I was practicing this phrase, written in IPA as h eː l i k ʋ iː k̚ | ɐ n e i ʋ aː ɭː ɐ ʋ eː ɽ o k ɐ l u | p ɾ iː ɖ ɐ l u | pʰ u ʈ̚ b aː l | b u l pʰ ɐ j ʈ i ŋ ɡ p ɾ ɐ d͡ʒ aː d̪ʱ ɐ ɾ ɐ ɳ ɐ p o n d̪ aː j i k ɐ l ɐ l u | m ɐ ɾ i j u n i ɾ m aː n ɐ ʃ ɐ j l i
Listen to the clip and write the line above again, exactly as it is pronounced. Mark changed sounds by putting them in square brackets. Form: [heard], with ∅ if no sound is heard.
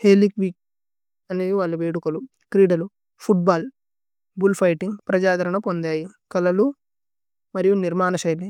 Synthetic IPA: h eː l i k ʋ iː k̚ | ɐ n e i ʋ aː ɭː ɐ ʋ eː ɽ [u] k ɐ l u | [k] ɾ iː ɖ ɐ l u | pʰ u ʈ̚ b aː l | b u l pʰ ɐ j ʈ i ŋ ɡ p ɾ ɐ d͡ʒ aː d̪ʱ ɐ ɾ ɐ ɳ ɐ p o n d̪ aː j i k ɐ l ɐ l u | m ɐ ɾ i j u n i ɾ m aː n ɐ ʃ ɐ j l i